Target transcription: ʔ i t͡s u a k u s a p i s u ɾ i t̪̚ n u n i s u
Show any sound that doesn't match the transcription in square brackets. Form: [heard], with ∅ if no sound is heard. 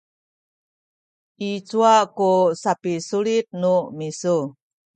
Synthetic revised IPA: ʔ i t͡s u a k u s a p i s u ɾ i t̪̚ n u [m] i s u